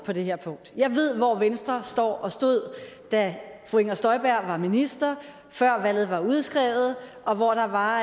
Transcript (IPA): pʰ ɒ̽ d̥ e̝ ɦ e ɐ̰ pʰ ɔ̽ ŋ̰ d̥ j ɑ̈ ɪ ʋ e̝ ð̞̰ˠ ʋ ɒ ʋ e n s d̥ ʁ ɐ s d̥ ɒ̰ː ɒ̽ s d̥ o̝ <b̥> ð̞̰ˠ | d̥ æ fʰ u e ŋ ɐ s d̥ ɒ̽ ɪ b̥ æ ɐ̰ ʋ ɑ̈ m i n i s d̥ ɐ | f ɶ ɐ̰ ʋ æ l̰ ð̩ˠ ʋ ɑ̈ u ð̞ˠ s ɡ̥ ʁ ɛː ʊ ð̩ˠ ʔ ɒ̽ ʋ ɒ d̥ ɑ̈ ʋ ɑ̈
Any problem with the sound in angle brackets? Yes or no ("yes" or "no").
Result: yes